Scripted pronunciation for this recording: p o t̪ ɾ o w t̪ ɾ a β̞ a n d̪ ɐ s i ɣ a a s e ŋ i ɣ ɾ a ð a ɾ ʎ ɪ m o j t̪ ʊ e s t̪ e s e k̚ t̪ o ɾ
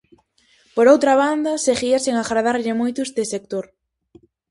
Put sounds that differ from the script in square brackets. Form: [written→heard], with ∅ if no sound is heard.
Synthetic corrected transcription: p o [t̪→∅] ɾ o w t̪ ɾ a β̞ a n d̪ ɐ s [i→e] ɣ [a→i] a s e ŋ [i→a] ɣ ɾ a ð a ɾ ʎ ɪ m o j t̪ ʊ e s t̪ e s e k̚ t̪ o ɾ